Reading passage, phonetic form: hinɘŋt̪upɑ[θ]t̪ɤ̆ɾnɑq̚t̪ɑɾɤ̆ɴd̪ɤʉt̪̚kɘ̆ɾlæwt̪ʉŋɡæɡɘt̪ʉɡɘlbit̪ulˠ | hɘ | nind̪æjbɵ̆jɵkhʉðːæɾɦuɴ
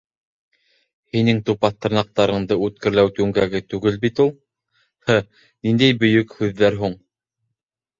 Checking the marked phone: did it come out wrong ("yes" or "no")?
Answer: no